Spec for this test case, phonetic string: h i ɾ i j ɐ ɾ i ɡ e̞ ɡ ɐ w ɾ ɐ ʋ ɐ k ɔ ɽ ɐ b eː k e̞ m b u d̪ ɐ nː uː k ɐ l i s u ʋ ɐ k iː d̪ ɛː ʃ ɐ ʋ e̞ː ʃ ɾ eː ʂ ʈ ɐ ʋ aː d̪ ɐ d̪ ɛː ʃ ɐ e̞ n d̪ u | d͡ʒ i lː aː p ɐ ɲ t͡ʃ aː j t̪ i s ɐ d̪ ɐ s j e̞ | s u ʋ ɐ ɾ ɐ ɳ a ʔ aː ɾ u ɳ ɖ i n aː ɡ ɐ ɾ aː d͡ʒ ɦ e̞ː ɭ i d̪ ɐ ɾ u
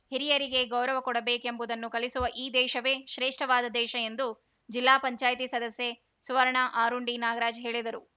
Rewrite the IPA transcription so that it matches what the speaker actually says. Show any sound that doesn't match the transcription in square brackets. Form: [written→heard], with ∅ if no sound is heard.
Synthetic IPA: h i ɾ i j ɐ ɾ i ɡ e̞ ɡ ɐ w ɾ ɐ ʋ ɐ k ɔ ɽ ɐ b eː k e̞ m b u d̪ ɐ nː [uː→u] k ɐ l i s u ʋ ɐ [k→ʔ] iː d̪ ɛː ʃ ɐ ʋ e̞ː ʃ ɾ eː ʂ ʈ ɐ ʋ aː d̪ ɐ d̪ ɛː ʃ ɐ e̞ n d̪ u | d͡ʒ i lː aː p ɐ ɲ t͡ʃ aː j t̪ i s ɐ d̪ ɐ s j e̞ | s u ʋ ɐ ɾ ɐ ɳ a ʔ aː ɾ u ɳ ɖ i n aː ɡ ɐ ɾ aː d͡ʒ ɦ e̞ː ɭ i d̪ ɐ ɾ u